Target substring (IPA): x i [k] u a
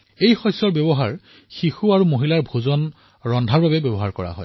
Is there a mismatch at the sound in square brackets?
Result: yes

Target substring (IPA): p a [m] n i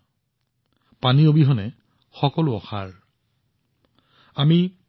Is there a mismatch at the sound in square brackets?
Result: yes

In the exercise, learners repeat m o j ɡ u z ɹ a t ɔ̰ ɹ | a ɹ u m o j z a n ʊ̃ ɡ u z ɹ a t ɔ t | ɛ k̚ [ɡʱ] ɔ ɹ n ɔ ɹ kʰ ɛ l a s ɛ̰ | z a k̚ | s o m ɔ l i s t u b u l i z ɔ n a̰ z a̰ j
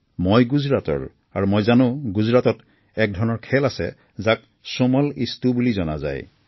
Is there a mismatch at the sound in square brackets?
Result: yes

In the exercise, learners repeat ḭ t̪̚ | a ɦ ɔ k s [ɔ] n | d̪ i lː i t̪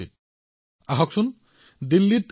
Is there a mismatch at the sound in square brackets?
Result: yes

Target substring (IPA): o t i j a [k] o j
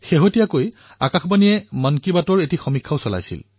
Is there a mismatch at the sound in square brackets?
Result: no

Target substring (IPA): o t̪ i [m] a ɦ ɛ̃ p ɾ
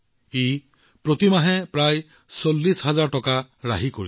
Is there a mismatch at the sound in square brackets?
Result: no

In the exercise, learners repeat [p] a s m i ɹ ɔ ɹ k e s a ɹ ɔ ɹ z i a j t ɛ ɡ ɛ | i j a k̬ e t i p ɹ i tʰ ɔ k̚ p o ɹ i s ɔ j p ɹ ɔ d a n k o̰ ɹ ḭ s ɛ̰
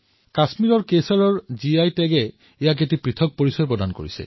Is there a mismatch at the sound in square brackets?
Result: yes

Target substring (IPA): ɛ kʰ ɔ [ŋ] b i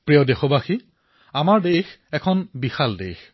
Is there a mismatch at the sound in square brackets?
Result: yes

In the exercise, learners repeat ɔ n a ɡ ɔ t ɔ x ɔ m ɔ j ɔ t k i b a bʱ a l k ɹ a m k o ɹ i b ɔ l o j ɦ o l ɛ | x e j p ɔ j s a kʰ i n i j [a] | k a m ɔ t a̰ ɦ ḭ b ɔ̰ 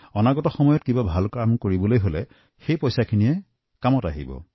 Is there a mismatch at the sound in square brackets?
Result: yes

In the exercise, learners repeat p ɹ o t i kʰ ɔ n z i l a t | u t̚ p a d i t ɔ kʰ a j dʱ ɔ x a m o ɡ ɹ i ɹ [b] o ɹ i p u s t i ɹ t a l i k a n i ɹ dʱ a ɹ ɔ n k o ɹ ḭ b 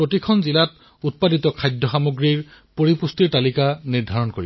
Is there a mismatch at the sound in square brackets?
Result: yes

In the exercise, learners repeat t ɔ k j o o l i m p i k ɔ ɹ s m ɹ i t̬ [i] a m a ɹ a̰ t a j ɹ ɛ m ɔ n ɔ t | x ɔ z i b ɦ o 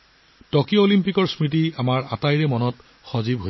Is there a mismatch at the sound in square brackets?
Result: no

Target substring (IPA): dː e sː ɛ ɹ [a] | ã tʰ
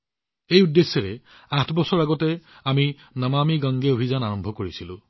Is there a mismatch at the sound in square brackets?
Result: yes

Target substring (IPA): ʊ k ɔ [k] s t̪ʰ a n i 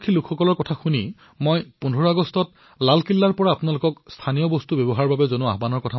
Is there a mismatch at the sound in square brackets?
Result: no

